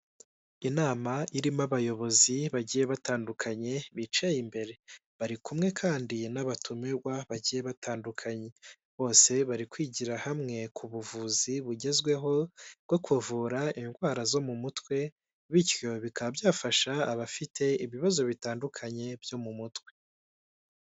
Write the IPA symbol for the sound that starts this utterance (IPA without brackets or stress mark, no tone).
i